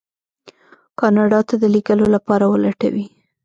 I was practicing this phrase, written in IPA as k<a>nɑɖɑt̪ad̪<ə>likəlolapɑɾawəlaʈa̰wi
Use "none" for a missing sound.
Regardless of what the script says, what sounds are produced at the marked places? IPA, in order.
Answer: ɑ, ə

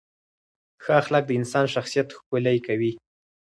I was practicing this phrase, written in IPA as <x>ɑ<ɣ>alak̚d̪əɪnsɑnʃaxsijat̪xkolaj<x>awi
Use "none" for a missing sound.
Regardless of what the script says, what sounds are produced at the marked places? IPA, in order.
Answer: x, x, k

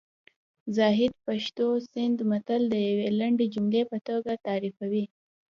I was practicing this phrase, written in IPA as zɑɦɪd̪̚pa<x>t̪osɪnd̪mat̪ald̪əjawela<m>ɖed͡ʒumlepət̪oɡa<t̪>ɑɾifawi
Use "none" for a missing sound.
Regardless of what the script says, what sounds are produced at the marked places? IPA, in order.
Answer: ʃ, ɳ, t̪

